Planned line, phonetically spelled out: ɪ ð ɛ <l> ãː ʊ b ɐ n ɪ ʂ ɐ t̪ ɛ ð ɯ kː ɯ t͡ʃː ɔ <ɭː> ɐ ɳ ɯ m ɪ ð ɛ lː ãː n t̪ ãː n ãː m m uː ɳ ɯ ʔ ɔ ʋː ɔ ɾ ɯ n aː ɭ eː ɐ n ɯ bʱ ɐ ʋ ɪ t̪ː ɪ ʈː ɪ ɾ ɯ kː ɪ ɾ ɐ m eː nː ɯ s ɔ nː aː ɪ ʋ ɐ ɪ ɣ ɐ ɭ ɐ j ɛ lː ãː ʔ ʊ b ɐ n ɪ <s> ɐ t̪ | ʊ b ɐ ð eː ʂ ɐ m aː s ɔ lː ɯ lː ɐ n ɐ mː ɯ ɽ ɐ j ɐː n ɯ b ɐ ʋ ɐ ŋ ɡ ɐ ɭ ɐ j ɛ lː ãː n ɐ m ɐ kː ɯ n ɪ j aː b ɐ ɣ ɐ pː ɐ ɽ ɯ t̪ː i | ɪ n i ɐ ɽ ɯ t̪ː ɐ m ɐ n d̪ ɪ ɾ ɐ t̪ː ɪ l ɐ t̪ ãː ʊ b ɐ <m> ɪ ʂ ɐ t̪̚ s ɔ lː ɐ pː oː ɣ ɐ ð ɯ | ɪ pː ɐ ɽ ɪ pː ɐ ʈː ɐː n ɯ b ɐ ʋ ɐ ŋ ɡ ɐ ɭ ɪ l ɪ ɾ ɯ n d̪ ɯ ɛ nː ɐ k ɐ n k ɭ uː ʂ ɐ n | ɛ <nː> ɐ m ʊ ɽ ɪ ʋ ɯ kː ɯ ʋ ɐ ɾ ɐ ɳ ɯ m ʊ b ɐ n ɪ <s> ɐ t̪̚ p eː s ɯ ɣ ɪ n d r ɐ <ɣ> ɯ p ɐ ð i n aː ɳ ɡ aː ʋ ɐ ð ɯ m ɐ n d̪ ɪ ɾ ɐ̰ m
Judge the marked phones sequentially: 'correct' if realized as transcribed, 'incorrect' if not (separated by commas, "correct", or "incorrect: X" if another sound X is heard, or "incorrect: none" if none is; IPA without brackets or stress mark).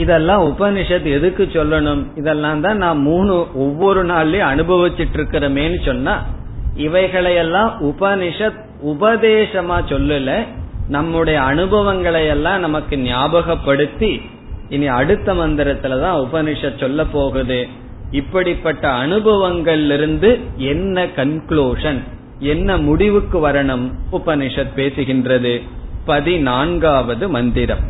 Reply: incorrect: lː, incorrect: lː, incorrect: ʂ, incorrect: n, correct, incorrect: ʂ, incorrect: ð